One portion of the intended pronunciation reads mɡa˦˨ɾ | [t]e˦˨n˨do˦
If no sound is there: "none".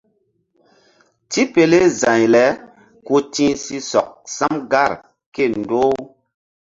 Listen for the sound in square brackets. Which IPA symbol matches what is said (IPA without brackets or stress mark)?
k